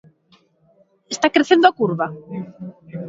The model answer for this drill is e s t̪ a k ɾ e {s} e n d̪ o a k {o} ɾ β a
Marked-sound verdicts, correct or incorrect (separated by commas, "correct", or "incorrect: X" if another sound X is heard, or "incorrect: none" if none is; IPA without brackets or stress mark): incorrect: θ, incorrect: u